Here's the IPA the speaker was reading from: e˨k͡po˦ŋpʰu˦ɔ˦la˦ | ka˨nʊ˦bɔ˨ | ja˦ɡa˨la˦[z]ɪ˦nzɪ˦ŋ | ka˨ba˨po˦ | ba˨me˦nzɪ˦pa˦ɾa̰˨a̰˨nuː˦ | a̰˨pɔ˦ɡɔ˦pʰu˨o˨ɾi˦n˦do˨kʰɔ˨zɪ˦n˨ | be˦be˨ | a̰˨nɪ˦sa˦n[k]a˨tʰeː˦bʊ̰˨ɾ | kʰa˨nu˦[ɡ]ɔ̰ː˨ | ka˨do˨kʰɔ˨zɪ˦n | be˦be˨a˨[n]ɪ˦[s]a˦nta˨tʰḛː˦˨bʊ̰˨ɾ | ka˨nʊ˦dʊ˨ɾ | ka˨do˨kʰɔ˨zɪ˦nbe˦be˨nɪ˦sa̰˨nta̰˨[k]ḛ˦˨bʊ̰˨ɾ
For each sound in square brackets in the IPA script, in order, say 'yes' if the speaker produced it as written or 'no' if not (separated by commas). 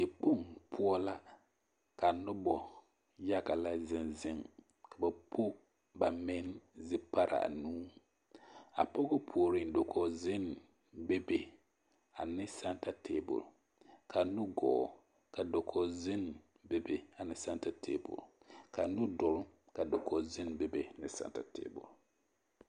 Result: yes, no, yes, yes, yes, no